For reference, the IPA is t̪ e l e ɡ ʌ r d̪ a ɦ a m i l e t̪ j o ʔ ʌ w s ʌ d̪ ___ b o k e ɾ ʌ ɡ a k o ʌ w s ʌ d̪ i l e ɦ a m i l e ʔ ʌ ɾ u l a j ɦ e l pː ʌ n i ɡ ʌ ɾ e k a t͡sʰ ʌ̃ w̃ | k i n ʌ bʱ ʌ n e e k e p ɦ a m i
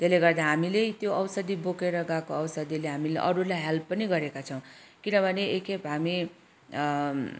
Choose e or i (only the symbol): i